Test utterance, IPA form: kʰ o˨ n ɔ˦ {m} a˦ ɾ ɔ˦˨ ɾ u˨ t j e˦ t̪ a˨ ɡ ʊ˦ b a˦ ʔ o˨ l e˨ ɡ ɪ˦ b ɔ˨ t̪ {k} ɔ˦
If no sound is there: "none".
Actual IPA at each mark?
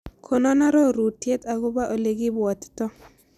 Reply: n, t

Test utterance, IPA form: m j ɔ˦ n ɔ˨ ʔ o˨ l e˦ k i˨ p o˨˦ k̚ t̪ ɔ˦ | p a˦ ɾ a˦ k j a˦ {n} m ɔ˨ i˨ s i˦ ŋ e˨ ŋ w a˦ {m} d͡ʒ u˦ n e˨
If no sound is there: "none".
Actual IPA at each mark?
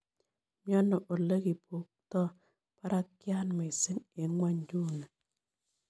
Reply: n, ɲ

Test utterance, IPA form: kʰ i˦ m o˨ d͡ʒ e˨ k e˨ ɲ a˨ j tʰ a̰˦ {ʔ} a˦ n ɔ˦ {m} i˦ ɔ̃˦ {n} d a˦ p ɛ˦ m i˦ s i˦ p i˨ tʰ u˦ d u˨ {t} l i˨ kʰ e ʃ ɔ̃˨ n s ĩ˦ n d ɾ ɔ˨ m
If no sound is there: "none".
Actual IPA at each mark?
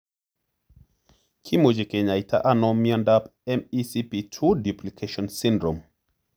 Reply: ʔ, m, n, p

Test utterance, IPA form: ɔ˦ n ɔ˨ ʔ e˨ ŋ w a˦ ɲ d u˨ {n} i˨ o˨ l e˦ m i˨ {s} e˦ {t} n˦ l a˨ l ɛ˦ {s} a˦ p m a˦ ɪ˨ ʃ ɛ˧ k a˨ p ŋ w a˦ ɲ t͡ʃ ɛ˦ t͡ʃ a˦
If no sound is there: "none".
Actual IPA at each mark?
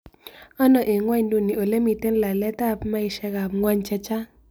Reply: n, t, none, t

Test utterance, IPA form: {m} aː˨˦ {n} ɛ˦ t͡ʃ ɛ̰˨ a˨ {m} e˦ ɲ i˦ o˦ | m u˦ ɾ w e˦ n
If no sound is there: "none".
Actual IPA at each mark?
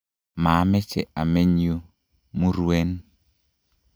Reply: m, m, m

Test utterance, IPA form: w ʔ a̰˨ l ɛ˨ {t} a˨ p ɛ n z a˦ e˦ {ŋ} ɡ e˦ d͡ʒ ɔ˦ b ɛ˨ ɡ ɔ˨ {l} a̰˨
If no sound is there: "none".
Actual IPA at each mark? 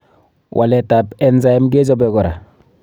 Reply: t, m, ɾ

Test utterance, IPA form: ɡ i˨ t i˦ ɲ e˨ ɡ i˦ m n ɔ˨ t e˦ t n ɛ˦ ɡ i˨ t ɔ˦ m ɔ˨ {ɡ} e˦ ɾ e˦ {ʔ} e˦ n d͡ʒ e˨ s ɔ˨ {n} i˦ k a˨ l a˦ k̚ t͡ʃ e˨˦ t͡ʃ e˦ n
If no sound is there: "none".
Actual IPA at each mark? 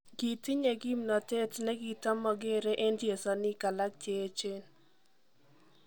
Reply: ɡ, ʔ, n

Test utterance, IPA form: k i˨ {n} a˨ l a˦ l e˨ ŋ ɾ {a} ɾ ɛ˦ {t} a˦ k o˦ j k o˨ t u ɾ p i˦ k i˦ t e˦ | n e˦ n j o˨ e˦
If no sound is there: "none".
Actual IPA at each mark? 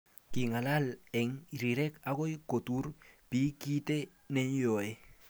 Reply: ŋ, i, k

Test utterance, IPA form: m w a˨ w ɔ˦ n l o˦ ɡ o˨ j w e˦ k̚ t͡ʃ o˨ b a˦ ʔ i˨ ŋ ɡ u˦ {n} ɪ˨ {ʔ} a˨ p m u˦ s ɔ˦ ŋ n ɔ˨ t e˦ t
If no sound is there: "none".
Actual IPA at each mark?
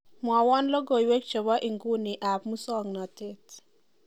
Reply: n, ʔ

